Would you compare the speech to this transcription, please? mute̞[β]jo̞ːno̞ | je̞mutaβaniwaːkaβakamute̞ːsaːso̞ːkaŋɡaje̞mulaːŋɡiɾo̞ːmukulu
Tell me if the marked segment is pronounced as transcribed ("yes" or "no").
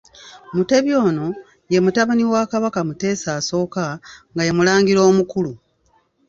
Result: yes